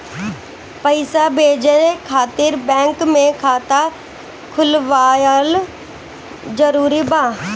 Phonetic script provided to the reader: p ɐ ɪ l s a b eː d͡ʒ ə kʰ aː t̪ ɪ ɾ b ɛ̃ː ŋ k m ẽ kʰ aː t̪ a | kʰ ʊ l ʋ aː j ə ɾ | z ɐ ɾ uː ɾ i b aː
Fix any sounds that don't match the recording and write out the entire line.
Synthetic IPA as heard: p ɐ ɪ s a b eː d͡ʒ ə kʰ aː t̪ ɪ ɾ b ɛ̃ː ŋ k m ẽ kʰ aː t̪ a | kʰ ʊ l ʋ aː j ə l | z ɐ ɾ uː ɾ i b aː